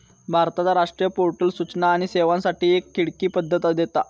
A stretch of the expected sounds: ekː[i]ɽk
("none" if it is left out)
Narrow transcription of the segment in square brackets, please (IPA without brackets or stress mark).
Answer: i